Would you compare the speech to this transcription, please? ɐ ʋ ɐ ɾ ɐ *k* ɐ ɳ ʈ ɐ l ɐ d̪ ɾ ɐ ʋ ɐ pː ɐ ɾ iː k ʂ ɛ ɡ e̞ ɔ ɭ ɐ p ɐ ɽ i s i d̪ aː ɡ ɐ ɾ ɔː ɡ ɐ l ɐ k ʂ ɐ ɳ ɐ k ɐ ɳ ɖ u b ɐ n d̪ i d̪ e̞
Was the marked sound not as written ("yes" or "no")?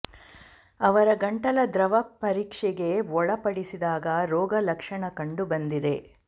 yes